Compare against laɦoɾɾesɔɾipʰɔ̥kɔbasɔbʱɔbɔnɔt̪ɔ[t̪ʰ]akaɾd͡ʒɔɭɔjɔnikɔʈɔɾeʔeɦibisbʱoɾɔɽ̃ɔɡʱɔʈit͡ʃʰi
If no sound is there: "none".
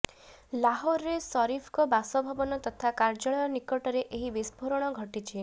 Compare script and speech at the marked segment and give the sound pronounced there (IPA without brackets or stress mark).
t̪ʰ